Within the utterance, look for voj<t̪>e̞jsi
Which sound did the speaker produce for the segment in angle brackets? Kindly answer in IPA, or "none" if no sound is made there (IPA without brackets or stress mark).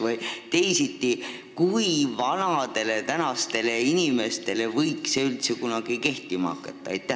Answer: t̪